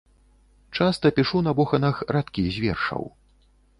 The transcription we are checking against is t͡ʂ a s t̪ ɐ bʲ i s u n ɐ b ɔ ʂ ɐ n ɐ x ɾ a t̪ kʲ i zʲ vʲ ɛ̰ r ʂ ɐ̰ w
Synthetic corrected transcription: t͡ʂ a s t̪ ɐ pʲ i ʂ u n ɐ b ɔ x ɐ n ɐ x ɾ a t̪ kʲ i zʲ vʲ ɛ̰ r ʂ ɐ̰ w

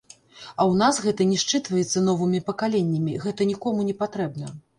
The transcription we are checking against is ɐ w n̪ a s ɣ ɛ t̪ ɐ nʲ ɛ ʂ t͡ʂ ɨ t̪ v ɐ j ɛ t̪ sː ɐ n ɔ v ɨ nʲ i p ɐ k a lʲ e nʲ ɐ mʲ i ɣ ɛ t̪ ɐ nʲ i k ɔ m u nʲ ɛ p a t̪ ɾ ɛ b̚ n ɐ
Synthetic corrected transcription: ɐ w n̪ a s ɣ ɛ t̪ ɐ nʲ ɛ ʂ t͡ʂ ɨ t̪ v ɐ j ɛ t̪ sː ɐ n ɔ v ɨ mʲ i p ɐ k a lʲ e nʲː ɐ mʲ i ɣ ɛ t̪ ɐ nʲ i k ɔ m u nʲ ɛ p a t̪ ɾ ɛ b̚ n ɐ

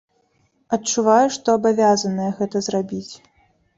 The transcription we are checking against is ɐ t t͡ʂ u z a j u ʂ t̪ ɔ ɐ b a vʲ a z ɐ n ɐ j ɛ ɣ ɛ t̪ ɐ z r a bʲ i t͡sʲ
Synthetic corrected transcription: ɐ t t͡ʂ u v a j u ʂ t̪ ɔ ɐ b a vʲ a z ɐ n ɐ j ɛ ɣ ɛ t̪ ɐ z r a bʲ i t͡sʲ

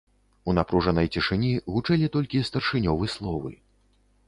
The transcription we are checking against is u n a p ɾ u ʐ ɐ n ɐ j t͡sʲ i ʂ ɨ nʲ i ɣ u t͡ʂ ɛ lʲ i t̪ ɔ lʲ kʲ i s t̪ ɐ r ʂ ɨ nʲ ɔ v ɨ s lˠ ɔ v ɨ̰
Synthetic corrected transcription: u n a p ɾ u ʐ ɐ n ɐ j t͡sʲ i ʂ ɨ nʲ i ɣ u t͡ʂ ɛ lʲ i t̪ ɔ lʲ kʲ i s t̪ ɐ r ʂ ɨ nʲ ɔ v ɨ s lˠ ɔ v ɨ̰

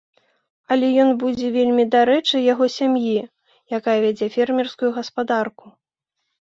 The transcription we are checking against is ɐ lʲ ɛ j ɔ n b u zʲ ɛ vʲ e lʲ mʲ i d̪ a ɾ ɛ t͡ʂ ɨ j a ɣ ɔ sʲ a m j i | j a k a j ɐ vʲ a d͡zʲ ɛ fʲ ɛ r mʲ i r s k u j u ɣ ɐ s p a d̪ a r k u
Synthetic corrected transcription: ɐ lʲ ɛ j ɔ n b u d͡zʲ ɛ vʲ e lʲ mʲ i d̪ a ɾ ɛ t͡ʂ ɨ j a ɣ ɔ sʲ a m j i | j a k a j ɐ vʲ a d͡zʲ ɛ fʲ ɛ r mʲ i r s k u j u ɣ ɐ s p a d̪ a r k u

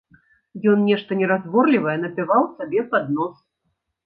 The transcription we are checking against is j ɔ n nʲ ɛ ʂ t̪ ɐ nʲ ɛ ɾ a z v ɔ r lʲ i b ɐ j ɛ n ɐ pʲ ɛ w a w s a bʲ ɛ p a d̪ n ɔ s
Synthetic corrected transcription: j ɔ n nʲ ɛ ʂ t̪ ɐ nʲ ɛ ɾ a z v ɔ r lʲ i v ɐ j ɛ n ɐ pʲ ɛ v a w s a bʲ ɛ p a d̪ n ɔ s

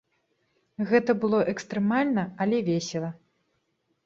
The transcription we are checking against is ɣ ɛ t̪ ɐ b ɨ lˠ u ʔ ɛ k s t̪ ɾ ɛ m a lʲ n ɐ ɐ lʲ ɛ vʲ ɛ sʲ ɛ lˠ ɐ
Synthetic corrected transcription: ɣ ɛ t̪ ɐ b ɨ lˠ ɔ ʔ ɛ k s t̪ ɾ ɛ m a lʲ n ɐ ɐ lʲ ɛ vʲ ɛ sʲ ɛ lˠ ɐ

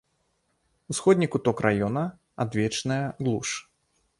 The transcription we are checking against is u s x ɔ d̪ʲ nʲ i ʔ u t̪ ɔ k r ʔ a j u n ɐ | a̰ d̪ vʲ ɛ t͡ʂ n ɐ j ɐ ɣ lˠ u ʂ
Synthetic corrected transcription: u s x ɔ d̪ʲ nʲ i k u t̪ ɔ k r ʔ a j ɔ n ɐ | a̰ d̪ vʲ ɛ t͡ʂ n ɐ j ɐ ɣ lˠ u ʂ

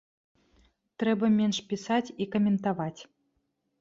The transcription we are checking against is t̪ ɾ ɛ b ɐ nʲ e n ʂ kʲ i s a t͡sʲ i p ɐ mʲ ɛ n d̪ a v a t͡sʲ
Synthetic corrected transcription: t̪ ɾ ɛ b ɐ mʲ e n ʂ pʲ i s a t͡sʲ i k ɐ mʲ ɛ n t̪ a v a t͡sʲ

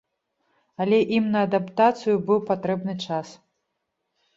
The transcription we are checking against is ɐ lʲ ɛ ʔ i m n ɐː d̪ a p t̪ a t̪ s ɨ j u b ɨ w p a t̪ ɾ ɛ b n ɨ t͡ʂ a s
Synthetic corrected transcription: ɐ lʲ ɛ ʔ i m n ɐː d̪ a p t̪ a t̪ s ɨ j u b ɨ w p a t̪ ɾ ɛ b n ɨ t͡ʂ a s

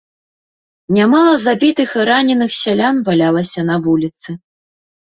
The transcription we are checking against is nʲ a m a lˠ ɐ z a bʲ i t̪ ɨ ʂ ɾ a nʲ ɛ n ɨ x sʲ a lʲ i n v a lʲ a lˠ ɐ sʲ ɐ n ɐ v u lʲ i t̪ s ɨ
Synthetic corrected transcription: nʲ a m a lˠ ɐ z a bʲ i t̪ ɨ x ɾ a nʲ ɛ n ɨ x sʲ a lʲ a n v a lʲ a lˠ ɐ sʲ ɐ n ɐ v u lʲ i t̪ s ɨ

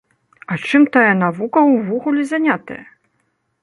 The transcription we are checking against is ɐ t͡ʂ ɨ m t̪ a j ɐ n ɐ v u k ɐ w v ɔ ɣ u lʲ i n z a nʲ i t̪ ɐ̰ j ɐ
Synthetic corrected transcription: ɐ t͡ʂ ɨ m t̪ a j ɐ n a v u k ɐ w v ɔ ɣ u lʲ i z a nʲ a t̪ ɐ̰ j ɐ

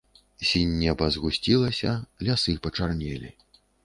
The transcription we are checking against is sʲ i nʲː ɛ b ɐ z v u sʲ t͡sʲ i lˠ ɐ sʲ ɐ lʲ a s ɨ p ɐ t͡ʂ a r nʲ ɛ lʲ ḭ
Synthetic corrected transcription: sʲ i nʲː ɛ b ɐ z ɣ u sʲ t͡sʲ i lˠ ɐ sʲ ɐ lʲ a s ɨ p ɐ t͡ʂ a r nʲ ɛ lʲ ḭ

